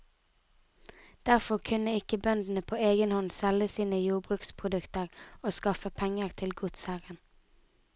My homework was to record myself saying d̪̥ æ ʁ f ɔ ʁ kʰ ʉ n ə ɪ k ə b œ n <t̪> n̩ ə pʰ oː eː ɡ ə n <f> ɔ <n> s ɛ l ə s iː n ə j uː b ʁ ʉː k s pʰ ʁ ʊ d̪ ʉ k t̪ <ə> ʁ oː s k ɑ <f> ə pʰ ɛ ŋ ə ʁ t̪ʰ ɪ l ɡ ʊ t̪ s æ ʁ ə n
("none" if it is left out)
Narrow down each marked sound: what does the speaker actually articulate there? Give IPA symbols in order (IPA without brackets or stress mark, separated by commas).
d̪, h, n, ə, f